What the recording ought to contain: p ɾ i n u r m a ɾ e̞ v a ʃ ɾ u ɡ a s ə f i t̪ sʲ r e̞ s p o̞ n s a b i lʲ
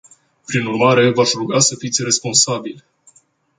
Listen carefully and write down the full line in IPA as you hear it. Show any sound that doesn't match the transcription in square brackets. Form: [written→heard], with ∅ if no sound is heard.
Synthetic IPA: p ɾ i n u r m a ɾ e̞ v a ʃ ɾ u ɡ a s ə f i t̪ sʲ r e̞ s p o̞ n s a b i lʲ